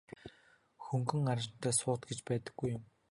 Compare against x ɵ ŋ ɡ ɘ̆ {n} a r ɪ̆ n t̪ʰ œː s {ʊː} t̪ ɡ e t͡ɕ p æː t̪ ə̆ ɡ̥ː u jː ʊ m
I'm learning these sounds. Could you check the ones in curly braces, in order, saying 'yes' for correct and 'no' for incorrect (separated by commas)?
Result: no, yes